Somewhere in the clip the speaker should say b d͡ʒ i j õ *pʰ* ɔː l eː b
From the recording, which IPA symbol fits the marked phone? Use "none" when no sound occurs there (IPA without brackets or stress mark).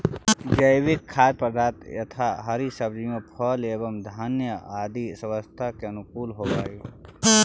pʰ